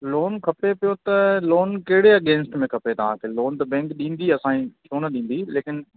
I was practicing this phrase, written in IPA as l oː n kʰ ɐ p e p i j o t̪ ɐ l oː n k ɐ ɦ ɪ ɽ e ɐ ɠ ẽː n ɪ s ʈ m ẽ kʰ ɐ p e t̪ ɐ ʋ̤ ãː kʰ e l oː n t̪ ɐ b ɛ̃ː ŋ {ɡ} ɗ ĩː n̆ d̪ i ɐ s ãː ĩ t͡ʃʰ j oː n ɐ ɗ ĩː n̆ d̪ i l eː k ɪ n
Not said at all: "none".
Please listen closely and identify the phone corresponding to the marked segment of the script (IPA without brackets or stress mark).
k